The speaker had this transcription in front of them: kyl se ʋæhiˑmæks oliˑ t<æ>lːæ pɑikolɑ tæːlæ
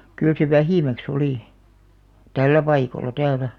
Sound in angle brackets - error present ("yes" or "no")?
no